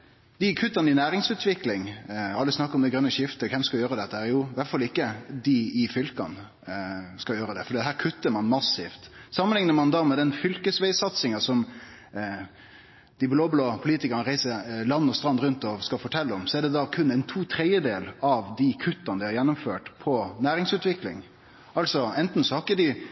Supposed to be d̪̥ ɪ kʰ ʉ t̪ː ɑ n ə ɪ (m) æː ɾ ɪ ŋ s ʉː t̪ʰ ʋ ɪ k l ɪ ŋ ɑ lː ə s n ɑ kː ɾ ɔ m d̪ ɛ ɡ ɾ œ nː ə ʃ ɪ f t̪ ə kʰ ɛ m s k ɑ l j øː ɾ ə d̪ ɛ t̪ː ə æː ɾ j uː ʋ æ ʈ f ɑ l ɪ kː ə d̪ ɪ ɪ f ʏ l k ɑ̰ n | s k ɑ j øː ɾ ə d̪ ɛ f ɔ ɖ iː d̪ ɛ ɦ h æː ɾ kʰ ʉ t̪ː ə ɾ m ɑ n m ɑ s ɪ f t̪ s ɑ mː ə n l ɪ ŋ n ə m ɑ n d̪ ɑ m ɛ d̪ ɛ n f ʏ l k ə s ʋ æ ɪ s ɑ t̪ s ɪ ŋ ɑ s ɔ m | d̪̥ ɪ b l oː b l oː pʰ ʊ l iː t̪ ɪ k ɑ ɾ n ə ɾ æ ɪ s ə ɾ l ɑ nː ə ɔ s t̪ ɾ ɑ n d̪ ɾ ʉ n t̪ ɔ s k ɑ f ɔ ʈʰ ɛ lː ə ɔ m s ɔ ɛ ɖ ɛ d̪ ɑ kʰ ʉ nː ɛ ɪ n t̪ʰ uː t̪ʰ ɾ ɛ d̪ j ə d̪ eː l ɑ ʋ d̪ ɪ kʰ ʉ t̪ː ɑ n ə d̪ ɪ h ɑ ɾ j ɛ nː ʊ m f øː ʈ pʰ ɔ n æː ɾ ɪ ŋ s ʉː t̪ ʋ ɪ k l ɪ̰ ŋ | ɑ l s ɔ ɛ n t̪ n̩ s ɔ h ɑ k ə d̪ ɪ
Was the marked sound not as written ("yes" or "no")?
yes